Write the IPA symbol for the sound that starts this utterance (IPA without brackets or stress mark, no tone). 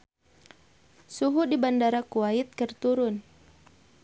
s